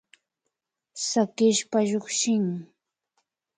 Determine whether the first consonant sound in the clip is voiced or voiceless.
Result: voiceless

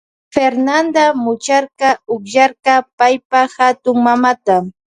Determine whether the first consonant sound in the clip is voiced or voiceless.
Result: voiceless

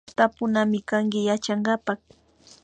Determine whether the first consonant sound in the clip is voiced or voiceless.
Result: voiceless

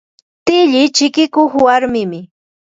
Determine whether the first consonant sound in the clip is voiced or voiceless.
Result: voiceless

